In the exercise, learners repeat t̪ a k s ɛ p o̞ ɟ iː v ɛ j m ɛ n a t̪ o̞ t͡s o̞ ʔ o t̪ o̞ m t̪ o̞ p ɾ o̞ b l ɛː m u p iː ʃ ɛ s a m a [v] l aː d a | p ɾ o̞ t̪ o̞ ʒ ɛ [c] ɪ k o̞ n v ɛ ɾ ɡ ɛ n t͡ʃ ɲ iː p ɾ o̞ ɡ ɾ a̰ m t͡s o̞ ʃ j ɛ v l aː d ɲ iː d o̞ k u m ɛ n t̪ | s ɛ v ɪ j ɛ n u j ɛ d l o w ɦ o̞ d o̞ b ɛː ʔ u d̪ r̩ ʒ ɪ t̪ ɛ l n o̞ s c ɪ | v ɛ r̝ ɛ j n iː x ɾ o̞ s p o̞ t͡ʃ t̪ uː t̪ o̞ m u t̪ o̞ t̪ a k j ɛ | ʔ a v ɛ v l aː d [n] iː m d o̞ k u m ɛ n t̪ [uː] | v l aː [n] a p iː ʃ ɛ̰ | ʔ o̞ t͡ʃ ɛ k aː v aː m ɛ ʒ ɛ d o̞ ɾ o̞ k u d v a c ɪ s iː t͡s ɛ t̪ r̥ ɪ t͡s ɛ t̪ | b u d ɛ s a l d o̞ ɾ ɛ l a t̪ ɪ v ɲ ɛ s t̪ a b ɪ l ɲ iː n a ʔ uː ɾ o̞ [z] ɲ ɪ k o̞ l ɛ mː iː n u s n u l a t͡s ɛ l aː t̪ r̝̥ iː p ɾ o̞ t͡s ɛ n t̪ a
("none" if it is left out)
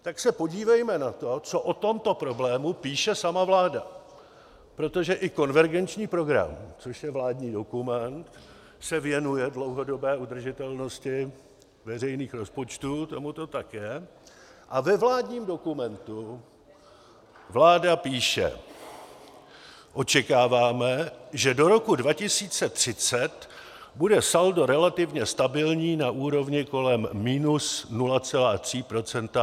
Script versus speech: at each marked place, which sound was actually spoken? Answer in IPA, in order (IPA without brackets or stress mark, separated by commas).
v, ʔ, ɲ, u, d, v